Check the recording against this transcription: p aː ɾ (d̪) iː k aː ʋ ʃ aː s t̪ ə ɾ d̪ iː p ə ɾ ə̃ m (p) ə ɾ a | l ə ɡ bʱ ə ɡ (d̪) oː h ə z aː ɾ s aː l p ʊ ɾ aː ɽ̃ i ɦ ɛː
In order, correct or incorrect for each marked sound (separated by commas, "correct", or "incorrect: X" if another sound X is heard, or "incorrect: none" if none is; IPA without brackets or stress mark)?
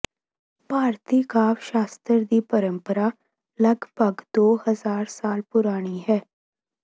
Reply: incorrect: t̪, correct, correct